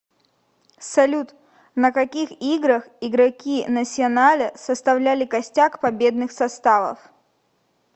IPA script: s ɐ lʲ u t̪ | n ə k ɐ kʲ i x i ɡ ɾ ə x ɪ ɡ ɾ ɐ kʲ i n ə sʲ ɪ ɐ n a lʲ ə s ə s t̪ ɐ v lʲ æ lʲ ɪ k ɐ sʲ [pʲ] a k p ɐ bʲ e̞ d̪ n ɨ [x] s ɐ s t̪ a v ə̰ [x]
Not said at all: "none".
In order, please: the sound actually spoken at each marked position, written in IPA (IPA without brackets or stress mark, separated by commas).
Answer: tʲ, x, f